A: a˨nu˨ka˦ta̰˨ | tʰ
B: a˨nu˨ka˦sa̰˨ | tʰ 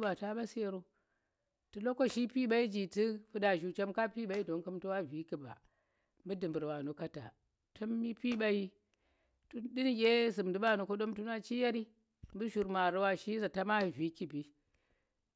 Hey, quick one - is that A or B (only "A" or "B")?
A